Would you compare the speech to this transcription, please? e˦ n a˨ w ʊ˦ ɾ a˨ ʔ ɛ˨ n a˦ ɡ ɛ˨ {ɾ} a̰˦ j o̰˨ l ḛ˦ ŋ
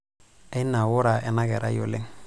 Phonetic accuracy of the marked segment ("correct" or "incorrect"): correct